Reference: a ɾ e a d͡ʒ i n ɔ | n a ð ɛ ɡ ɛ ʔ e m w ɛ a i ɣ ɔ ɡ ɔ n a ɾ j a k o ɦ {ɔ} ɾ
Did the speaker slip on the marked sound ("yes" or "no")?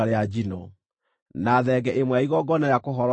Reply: no